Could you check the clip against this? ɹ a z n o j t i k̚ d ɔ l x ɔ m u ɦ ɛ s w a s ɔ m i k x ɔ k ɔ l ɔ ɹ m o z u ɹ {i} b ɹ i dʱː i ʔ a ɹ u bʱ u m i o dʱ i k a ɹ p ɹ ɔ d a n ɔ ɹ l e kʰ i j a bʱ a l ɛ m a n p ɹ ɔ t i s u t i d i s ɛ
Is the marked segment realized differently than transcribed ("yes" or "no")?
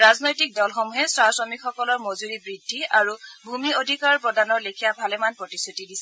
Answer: no